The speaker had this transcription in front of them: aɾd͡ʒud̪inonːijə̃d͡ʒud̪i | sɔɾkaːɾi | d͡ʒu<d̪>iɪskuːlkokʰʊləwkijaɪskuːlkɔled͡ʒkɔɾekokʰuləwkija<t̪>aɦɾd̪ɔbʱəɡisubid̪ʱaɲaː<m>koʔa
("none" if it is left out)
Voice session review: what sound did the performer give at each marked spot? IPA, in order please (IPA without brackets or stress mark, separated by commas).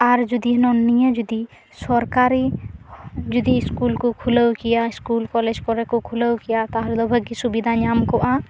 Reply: d̪, t̪, m